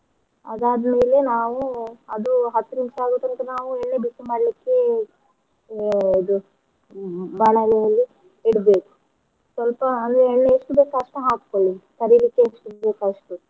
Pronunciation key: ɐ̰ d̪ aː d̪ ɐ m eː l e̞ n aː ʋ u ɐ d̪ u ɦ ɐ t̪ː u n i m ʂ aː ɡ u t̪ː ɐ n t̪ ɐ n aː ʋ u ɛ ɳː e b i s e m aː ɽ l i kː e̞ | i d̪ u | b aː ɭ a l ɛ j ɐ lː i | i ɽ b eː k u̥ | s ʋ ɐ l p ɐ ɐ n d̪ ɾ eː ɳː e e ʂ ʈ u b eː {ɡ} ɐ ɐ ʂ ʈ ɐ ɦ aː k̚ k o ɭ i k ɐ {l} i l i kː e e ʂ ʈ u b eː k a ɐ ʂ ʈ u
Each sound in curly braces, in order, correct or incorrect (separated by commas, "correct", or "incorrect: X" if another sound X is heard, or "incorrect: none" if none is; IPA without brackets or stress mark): incorrect: k, incorrect: ɾ